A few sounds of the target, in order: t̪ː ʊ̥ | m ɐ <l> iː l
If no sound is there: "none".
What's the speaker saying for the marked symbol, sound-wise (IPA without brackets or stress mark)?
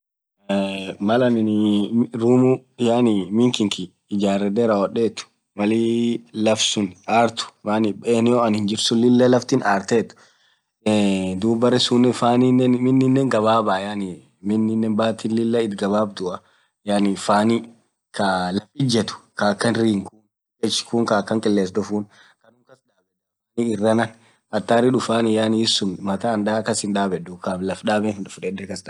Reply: l